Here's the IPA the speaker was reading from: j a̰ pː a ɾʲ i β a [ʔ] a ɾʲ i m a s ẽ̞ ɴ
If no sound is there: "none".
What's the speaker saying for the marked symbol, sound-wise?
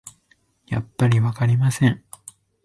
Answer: k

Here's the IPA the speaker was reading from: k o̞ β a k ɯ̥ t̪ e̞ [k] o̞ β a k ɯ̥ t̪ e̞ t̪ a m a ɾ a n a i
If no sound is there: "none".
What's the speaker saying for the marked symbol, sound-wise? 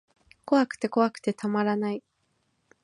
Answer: k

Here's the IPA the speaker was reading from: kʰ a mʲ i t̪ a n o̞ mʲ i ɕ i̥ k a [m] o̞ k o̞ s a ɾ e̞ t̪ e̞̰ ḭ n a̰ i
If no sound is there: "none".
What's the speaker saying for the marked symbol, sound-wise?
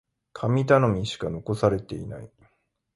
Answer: n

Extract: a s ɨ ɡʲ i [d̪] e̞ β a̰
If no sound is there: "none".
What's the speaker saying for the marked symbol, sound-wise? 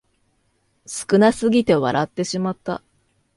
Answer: t̪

